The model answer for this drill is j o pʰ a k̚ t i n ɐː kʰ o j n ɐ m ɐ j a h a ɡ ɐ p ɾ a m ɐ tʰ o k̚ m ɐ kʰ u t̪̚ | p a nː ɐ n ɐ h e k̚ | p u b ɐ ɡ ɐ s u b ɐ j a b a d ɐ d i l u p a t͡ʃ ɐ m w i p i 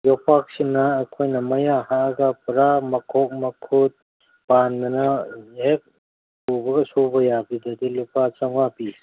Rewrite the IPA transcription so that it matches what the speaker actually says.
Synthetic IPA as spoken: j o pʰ a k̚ s i n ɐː kʰ o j n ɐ m ɐ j a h a ɡ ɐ p ɾ a m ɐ kʰ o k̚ m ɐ kʰ u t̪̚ | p a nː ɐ n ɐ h e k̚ | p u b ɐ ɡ ɐ s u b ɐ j a b i d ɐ d i l u p a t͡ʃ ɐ ŋ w a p i

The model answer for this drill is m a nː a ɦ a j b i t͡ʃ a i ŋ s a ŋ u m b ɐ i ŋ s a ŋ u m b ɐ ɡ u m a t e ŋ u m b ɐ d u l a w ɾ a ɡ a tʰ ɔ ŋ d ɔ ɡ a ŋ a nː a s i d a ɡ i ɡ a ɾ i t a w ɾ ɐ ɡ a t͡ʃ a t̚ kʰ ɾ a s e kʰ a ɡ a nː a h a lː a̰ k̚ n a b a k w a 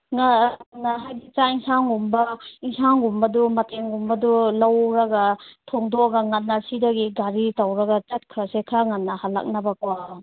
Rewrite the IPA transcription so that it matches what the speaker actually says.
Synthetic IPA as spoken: ŋ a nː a ɦ a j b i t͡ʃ a i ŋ s a ŋ u m b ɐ i ŋ s a ŋ u m b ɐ d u m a t e ŋ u m b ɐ d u l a w ɾ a ɡ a tʰ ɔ ŋ d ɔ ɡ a ŋ a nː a s i d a ɡ i ɡ a ɾ i t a w ɾ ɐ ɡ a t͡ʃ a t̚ kʰ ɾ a s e kʰ a ŋ a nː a h a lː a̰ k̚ n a b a k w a

